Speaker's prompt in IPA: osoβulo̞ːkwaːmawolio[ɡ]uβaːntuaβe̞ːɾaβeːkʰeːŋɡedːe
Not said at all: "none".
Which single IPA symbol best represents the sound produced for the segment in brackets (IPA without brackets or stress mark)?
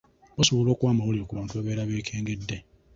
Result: k